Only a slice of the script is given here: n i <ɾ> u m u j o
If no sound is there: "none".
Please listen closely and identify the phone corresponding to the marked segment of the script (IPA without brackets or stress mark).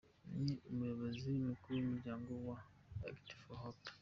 none